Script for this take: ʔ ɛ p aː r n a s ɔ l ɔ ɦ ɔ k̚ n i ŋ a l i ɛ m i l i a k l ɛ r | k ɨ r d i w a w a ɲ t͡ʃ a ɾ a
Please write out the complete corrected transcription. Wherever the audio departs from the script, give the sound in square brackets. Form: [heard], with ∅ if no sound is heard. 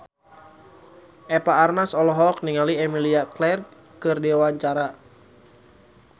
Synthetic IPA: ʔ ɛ p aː r n a s ɔ l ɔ ɦ ɔ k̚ n i ŋ a l i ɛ m i l i a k l ɛ r | k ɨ r d i w a w a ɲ t͡ʃ a ɾ a